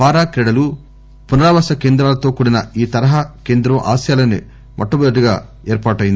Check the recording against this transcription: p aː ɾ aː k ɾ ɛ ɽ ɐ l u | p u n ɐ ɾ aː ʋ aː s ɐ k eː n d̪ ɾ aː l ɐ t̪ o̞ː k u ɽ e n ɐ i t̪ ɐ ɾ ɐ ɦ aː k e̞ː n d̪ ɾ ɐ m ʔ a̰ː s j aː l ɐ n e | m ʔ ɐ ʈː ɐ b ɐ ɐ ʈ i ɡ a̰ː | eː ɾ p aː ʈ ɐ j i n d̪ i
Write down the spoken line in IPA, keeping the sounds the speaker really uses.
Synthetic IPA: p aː ɾ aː k ɾ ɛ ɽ ɐ l u | p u n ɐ ɾ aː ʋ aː s ɐ k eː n d̪ ɾ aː l ɐ t̪ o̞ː k u ɽ i n ɐ iː t̪ ɐ ɾ ɐ ɦ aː k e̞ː n d̪ ɾ ɐ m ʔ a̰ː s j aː l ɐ n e | m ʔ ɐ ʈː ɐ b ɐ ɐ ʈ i ɡ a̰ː | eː ɾ p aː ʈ ɐ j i n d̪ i

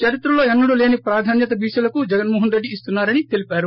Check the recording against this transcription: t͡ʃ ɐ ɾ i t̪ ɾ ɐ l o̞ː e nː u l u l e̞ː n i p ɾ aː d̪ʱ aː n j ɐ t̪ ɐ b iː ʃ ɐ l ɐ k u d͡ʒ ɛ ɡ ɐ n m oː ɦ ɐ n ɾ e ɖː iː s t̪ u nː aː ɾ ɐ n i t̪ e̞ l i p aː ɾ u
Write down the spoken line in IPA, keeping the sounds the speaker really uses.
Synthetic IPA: t͡ʃ ɐ ɾ i t̪ ɾ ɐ l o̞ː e nː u ɽ u l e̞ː n i p ɾ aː d̪ʱ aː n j ɐ t̪ ɐ b iː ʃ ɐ l ɐ k u d͡ʒ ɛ ɡ ɐ n m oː ɦ ɐ n ɾ e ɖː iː s t̪ u nː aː ɾ ɐ n i t̪ e̞ l i p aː ɾ u

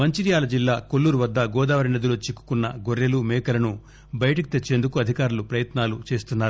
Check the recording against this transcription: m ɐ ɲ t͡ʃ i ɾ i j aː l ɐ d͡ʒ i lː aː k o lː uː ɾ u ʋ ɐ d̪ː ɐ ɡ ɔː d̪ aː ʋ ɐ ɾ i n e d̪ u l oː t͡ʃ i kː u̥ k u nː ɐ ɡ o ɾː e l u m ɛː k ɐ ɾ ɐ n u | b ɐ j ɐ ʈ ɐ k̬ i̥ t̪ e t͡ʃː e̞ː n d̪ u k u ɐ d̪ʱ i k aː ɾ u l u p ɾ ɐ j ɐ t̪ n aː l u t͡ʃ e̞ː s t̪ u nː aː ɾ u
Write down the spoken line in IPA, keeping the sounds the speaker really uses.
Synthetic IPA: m ɐ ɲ t͡ʃ i ɾ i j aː l ɐ d͡ʒ i lː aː k o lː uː ɾ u ʋ ɐ d̪ː ɐ ɡ ɔː d̪ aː ʋ ɐ ɾ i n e d̪ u l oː t͡ʃ i kː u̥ k u nː ɐ ɡ o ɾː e l u m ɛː k ɐ l ɐ n u | b ɐ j ɐ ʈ ɐ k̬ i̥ t̪ e t͡ʃː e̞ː n d̪ u k u ɐ d̪ʱ i k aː ɾ u l u p ɾ ɐ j ɐ t̪ n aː l u t͡ʃ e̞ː s t̪ u nː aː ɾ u

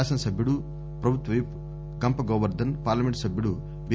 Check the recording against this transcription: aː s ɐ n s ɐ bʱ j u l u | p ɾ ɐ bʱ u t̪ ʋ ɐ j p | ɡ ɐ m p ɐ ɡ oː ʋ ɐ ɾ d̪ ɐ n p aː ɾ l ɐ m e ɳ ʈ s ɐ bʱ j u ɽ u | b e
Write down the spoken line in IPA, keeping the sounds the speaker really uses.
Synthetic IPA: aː s ɐ n s ɐ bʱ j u ɽ u | p ɾ ɐ bʱ u t̪ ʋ ɐ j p | ɡ ɐ m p ɐ ɡ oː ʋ ɐ ɾ d̪ ɐ n p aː ɾ l ɐ m e ɳ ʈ s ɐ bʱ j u ɽ u | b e

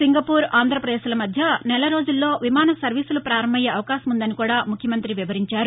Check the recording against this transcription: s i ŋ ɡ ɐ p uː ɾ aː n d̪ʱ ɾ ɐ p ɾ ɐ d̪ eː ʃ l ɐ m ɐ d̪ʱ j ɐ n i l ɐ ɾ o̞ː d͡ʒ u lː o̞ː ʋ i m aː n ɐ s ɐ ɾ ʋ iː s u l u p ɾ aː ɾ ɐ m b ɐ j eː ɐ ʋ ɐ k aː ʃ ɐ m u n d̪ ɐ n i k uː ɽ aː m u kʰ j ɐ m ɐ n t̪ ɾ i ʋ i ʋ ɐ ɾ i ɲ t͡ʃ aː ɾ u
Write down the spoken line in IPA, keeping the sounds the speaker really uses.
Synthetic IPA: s i ŋ ɡ ɐ p uː ɾ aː n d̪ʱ ɾ ɐ p ɾ ɐ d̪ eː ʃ l ɐ m ɐ d̪ʱ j ɐ n ɛ l ɐ ɾ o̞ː d͡ʒ u lː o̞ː ʋ i m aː n ɐ s ɐ ɾ ʋ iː s u l u p ɾ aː ɾ ɐ m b ɐ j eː ɐ ʋ ɐ k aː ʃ ɐ m u n d̪ ɐ n i k uː ɽ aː m u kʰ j ɐ m ɐ n t̪ ɾ i ʋ i ʋ ɐ ɾ i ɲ t͡ʃ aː ɾ u

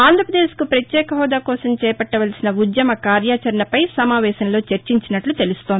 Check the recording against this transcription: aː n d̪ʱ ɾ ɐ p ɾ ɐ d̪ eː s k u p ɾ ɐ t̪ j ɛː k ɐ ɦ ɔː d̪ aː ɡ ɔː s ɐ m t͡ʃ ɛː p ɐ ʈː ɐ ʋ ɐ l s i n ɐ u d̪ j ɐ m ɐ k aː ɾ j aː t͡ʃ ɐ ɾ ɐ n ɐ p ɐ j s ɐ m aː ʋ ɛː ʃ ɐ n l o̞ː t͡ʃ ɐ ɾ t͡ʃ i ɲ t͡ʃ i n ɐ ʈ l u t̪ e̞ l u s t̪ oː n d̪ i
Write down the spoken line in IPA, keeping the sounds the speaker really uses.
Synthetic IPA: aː n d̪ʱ ɾ ɐ p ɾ ɐ d̪ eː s k u p ɾ ɐ t̪ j ɛː k ɐ ɦ ɔː d̪ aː k ɔː s ɐ m t͡ʃ ɛː p ɐ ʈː ɐ ʋ ɐ l s i n ɐ u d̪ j ɐ m ɐ k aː ɾ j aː t͡ʃ ɐ ɾ ɐ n ɐ p ɐ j s ɐ m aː ʋ ɛː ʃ ɐ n l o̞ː t͡ʃ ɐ ɾ t͡ʃ i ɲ t͡ʃ i n ɐ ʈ l u t̪ e̞ l u s t̪ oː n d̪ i

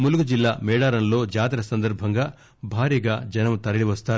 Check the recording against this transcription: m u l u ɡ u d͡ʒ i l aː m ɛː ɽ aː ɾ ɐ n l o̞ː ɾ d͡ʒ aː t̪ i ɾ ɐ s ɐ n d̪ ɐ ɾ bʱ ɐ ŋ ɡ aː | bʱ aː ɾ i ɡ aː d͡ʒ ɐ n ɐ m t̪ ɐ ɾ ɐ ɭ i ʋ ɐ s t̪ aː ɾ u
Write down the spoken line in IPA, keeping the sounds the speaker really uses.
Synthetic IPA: m u l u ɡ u d͡ʒ i lː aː m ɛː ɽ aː ɾ ɐ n l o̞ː d͡ʒ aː t̪ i ɾ ɐ s ɐ n d̪ ɐ ɾ bʱ ɐ ŋ ɡ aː | bʱ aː ɾ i ɡ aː d͡ʒ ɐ n ɐ m t̪ ɐ ɾ ɐ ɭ i ʋ ɐ s t̪ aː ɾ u

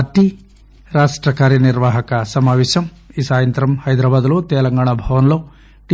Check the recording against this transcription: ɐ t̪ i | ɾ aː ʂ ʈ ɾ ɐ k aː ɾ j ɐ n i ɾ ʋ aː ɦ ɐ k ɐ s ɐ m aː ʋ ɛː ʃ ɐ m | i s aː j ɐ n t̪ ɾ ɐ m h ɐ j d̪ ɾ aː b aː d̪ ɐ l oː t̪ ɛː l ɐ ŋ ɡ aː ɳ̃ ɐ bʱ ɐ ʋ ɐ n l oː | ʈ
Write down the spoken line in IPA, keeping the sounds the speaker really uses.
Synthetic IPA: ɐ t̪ i | ɾ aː ʂ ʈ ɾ ɐ k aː ɾ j ɐ n i ɾ ʋ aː ɦ ɐ k ɐ s ɐ m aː ʋ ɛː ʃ ɐ m | i s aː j ɐ n t̪ ɾ ɐ m h ɐ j d̪ ɾ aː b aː d̪ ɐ l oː t̪ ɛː l ɐ ŋ ɡ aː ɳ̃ ɐ bʱ ɐ ʋ ɐ n l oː | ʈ

